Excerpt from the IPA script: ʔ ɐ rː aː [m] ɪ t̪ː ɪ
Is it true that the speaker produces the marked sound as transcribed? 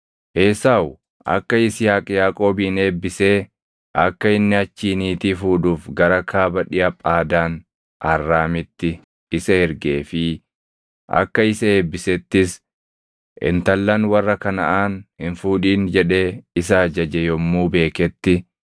yes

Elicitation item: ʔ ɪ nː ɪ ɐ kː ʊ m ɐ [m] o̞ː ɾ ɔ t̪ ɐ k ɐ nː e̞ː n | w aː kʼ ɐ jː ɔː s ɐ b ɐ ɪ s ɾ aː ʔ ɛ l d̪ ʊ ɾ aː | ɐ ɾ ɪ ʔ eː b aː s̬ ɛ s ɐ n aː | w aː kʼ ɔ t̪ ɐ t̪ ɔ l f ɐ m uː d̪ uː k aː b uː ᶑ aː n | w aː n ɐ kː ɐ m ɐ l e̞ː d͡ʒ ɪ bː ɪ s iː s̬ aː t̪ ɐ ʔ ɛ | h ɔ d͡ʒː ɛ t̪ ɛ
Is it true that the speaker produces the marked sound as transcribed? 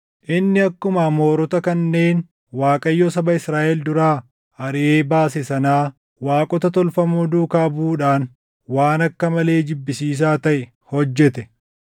yes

